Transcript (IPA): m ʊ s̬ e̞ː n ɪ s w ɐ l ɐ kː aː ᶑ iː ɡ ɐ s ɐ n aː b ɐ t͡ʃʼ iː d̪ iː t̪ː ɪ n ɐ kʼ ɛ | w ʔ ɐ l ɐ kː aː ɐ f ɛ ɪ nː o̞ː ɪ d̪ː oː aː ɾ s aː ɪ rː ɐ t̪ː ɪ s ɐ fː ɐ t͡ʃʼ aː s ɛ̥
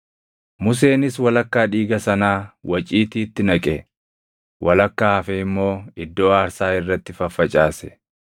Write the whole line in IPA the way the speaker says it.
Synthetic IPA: m ʊ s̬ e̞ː n ɪ s w ɐ l ɐ kː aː ᶑ iː ɡ ɐ s ɐ n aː w ɐ t͡ʃʼ iː t̪ iː t̪ː ɪ n ɐ kʼ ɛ | w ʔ ɐ l ɐ kː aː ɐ f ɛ ɪ mː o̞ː ɪ d̪ː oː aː ɾ s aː ɪ rː ɐ t̪ː ɪ f ɐ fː ɐ t͡ʃʼ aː s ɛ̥